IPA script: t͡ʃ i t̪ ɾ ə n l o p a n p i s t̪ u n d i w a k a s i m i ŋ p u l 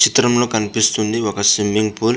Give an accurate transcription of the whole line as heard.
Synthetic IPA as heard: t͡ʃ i t̪ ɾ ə m l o k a n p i s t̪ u n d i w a k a s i m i ŋ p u l

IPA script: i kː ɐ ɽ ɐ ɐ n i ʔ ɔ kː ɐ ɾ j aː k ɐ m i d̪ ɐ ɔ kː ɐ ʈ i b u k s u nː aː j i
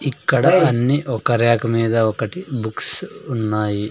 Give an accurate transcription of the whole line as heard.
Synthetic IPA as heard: i kː ɐ ɽ ɐ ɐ nː i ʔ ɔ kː ɐ ɾ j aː k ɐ m iː d̪ ɐ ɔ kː ɐ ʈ i b u k s u nː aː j i

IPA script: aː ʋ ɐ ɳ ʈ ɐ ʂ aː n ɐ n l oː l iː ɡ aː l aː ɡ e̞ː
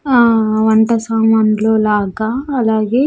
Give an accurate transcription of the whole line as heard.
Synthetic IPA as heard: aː ʋ ɐ ɳ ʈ ɐ s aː m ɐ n l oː l aː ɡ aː l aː ɡ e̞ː

